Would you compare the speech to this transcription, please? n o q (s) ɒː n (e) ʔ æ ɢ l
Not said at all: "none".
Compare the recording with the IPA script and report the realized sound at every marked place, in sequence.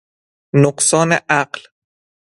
s, e

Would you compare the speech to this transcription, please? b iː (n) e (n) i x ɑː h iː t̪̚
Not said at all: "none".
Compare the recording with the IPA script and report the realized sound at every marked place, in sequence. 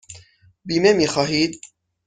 m, m

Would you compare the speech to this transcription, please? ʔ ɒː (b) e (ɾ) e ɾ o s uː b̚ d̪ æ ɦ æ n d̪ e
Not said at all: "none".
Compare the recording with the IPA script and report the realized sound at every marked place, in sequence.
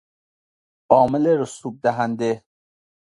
m, l

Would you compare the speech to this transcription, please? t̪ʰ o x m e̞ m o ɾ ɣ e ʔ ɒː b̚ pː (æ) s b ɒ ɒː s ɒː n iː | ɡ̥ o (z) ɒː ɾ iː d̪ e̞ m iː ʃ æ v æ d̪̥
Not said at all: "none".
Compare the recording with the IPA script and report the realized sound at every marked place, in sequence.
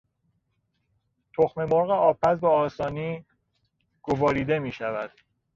æ, v

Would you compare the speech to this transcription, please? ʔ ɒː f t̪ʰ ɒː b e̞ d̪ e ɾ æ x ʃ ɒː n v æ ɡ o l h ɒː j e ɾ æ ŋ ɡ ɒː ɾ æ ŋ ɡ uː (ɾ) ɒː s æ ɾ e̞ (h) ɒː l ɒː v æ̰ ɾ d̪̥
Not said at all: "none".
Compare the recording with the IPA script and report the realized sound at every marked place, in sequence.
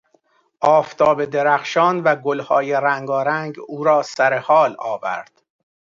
ɾ, h

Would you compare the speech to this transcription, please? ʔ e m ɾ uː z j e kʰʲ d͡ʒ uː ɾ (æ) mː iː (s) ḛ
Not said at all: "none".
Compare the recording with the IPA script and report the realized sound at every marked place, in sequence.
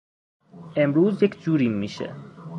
i, ʃ

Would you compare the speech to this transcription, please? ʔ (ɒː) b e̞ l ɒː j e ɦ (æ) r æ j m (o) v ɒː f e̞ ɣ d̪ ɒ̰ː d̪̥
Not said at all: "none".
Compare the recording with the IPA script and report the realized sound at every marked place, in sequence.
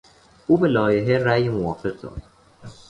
uː, e, o

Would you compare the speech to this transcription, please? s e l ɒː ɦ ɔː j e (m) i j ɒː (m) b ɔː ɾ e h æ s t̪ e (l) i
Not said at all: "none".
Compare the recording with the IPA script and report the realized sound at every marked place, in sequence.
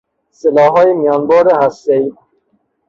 m, n, none

